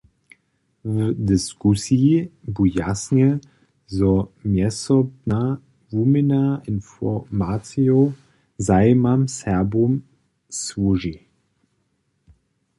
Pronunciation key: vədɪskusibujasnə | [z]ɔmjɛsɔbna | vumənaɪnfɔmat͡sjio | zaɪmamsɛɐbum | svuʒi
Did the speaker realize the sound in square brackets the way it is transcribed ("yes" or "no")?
yes